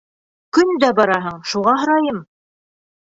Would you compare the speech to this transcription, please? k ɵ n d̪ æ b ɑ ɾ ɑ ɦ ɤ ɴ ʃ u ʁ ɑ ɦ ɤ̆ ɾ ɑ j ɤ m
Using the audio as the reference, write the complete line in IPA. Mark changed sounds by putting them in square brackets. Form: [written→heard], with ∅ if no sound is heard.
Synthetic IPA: k ɵ n d̪ æ b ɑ ɾ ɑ ɦ ɤ ɴ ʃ u ʁ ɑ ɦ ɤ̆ ɾ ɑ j ɤ m